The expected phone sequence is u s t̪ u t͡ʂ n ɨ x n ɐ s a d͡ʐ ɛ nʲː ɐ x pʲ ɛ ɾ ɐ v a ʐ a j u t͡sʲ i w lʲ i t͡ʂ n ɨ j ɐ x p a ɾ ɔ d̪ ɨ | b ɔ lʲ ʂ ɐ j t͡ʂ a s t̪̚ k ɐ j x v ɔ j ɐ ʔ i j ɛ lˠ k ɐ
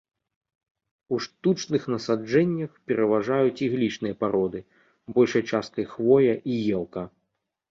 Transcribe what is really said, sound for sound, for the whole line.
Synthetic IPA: u ʂ t̪ u t͡ʂ n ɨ x n ɐ s a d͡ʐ ɛ nʲː ɐ x pʲ ɛ ɾ ɐ v a ʐ a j u t͡sʲ i ɣ lʲ i t͡ʂ n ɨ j ɐ p a ɾ ɔ d̪ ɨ | b ɔ lʲ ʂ ɐ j t͡ʂ a s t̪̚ k ɐ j x v ɔ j ɐ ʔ i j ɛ lˠ k ɐ